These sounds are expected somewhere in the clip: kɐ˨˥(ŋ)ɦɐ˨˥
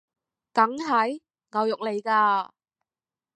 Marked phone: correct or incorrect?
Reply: correct